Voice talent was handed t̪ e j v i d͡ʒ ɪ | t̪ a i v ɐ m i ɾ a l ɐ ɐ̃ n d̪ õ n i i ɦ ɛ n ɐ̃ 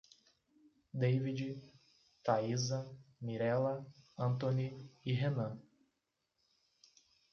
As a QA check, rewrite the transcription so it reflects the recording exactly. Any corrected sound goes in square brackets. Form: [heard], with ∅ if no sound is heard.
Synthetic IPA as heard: [d̪] e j v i d͡ʒ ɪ | t̪ a i [z] ɐ m i ɾ [ɛ] l ɐ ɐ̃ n [t̪] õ n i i ɦ [e] n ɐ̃

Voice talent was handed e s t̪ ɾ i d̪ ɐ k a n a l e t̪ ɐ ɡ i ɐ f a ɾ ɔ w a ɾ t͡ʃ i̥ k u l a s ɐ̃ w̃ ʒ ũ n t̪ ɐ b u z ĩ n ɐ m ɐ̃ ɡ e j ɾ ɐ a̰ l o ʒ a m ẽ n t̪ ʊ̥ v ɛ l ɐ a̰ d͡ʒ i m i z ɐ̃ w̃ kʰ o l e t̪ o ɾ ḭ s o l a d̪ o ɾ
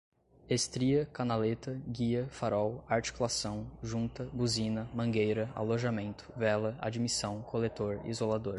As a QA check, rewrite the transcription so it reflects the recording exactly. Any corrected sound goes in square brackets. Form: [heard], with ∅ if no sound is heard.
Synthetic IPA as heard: e s t̪ ɾ i [∅] ɐ k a n a l e t̪ ɐ ɡ i ɐ f a ɾ ɔ w a ɾ t͡ʃ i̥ k u l a s ɐ̃ w̃ ʒ ũ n t̪ ɐ b u z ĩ n ɐ m ɐ̃ ɡ e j ɾ ɐ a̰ l o ʒ a m ẽ n t̪ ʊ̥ v ɛ l ɐ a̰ d͡ʒ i m i [s] ɐ̃ w̃ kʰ o l e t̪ o ɾ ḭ [z] o l a d̪ o ɾ

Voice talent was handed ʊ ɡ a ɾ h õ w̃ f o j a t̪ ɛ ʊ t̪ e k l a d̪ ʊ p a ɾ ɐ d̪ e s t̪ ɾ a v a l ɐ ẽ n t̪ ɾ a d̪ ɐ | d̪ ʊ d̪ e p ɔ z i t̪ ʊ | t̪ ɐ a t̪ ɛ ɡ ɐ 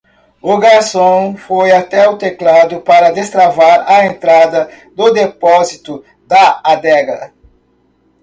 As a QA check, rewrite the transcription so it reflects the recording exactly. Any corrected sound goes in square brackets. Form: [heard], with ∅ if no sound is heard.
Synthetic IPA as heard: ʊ ɡ a ɾ [s] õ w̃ f o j a t̪ ɛ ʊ t̪ e k l a d̪ ʊ p a ɾ ɐ d̪ e s t̪ ɾ a v a [ɾ] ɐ ẽ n t̪ ɾ a d̪ ɐ | d̪ ʊ d̪ e p ɔ z i t̪ ʊ | [d̪] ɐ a [d̪] ɛ ɡ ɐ

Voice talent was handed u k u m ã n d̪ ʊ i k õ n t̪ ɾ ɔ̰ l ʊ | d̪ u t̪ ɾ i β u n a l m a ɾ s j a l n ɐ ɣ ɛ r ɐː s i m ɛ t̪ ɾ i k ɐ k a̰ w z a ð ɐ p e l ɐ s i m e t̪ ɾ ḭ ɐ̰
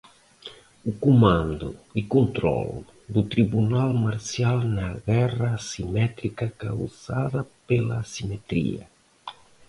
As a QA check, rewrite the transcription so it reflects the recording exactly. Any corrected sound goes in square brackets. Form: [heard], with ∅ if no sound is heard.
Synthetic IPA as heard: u k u m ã n d̪ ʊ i k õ n t̪ ɾ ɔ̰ l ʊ | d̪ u t̪ ɾ i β u n a l m a ɾ s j a l n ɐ ɣ ɛ r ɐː s i m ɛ t̪ ɾ i k ɐ k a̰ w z a ð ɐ p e l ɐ s i m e t̪ ɾ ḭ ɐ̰

